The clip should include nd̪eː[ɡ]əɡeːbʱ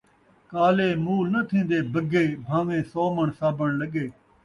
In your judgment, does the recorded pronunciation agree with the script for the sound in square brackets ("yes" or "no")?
no